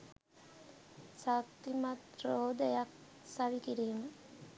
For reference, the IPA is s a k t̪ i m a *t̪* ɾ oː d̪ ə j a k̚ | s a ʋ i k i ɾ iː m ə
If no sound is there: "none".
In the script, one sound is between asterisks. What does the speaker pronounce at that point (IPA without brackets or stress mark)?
t̪